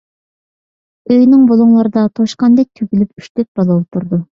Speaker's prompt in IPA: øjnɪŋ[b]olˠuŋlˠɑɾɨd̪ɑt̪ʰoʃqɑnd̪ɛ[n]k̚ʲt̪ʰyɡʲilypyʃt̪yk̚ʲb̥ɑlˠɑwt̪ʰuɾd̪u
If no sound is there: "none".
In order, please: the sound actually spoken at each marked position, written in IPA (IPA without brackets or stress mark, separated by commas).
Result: b, none